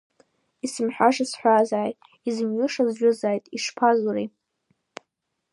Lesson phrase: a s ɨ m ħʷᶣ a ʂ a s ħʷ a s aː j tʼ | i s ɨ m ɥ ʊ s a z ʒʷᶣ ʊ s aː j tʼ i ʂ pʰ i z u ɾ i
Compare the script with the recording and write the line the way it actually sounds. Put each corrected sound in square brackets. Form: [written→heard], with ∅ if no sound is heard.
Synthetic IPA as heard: [a→i] s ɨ m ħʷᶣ a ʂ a s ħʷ a [s→z] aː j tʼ | i [s→z] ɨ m ɥ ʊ [s→ʂ] a z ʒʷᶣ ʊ [s→z] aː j tʼ i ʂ pʰ [i→a] z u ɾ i